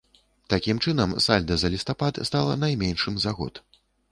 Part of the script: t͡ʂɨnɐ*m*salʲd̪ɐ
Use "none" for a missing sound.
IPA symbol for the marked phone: m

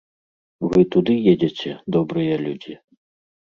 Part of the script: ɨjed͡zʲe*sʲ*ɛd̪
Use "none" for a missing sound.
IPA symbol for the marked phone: t͡sʲ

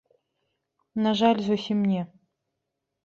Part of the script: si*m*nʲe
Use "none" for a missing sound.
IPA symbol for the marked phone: m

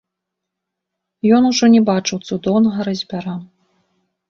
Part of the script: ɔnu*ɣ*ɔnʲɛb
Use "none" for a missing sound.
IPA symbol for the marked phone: ʐ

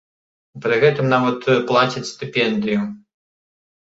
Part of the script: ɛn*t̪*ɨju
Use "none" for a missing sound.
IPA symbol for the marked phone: d̪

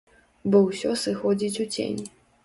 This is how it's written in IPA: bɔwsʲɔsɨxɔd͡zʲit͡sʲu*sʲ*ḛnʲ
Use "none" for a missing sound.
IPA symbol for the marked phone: t͡sʲ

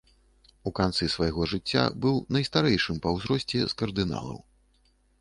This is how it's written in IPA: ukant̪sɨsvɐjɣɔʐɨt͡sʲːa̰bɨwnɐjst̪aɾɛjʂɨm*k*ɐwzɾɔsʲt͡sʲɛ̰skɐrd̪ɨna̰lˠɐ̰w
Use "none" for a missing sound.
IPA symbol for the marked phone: p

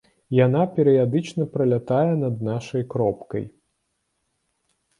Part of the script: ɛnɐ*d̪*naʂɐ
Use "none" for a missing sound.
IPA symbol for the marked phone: d̪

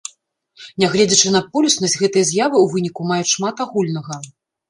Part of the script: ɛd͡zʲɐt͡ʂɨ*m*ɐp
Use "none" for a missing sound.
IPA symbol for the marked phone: n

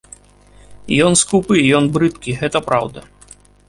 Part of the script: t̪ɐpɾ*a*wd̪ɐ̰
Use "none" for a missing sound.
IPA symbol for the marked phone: a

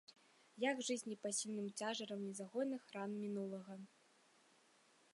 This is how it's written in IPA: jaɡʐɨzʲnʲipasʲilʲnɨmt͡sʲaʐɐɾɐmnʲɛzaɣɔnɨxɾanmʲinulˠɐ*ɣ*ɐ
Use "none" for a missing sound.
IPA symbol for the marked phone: ɣ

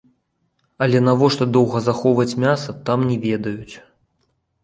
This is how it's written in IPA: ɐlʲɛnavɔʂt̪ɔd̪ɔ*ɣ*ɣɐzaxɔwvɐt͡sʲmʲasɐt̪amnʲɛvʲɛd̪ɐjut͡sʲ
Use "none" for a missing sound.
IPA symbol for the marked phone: w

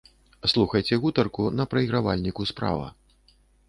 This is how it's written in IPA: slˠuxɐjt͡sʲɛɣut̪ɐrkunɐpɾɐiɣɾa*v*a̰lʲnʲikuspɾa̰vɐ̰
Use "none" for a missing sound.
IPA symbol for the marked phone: v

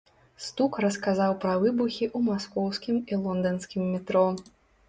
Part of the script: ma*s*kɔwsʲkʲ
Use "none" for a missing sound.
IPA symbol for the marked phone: s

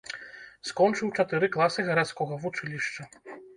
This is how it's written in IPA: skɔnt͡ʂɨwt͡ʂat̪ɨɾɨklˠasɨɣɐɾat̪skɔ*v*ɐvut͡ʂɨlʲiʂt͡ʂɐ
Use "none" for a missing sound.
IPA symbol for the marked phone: ɣ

